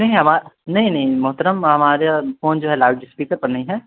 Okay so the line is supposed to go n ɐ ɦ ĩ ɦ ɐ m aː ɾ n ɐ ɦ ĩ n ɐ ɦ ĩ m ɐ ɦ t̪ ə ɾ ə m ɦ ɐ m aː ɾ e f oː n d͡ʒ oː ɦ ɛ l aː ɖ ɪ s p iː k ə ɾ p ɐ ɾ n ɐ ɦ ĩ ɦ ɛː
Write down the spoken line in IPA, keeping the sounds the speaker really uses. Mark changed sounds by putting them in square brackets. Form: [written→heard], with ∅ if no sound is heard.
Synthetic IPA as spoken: n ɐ ɦ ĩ ɦ ɐ m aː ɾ n ɐ ɦ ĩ n ɐ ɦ ĩ m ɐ ɦ t̪ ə ɾ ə m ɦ ɐ m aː ɾ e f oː n d͡ʒ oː ɦ ɛ l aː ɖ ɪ s p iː k ə ɾ p ɐ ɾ n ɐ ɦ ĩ ɦ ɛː

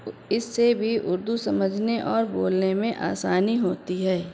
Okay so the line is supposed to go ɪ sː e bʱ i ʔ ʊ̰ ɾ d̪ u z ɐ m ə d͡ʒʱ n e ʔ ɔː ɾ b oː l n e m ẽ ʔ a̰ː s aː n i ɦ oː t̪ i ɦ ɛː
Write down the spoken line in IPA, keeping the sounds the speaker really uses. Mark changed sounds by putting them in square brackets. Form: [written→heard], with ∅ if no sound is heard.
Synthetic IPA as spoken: ɪ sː e bʱ i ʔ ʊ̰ ɾ d̪ u [z→s] ɐ m ə d͡ʒʱ n e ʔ ɔː ɾ b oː l n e m ẽ ʔ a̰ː s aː n i ɦ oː t̪ i ɦ ɛː

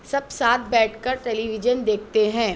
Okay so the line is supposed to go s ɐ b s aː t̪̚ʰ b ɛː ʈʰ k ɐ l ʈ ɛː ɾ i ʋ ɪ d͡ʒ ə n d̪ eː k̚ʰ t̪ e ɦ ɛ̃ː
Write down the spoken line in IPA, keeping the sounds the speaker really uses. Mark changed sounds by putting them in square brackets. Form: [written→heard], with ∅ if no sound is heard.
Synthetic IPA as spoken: s ɐ b s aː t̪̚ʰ b ɛː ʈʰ k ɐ [l→ɾ] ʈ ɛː [ɾ→l] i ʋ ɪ d͡ʒ ə n d̪ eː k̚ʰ t̪ e ɦ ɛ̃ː

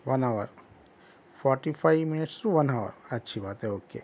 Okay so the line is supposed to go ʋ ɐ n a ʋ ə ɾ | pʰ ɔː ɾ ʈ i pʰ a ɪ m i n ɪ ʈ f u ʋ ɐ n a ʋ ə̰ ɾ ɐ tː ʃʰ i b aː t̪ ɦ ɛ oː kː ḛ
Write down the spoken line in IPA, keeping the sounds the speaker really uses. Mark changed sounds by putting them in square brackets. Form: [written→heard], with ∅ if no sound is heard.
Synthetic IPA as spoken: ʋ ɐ n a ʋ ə ɾ | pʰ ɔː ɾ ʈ i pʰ a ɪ m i n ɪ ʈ [f→s] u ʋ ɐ n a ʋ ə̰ ɾ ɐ tː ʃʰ i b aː t̪ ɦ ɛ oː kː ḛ

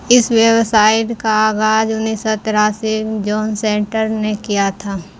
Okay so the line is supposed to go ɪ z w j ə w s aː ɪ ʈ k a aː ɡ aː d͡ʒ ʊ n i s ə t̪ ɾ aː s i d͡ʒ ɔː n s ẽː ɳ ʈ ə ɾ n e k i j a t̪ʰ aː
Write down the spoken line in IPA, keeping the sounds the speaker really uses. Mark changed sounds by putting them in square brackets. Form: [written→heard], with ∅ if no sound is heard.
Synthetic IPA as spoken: ɪ [z→s] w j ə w s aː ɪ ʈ k a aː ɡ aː d͡ʒ ʊ n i s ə t̪ ɾ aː s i d͡ʒ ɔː n s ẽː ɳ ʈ ə ɾ n e k i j a t̪ʰ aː

